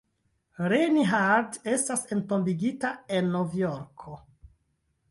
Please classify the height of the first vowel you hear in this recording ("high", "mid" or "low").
mid